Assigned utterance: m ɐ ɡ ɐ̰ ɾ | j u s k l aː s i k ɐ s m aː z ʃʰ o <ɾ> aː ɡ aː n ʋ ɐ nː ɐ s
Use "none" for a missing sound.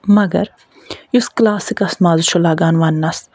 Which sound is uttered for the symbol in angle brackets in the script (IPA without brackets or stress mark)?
l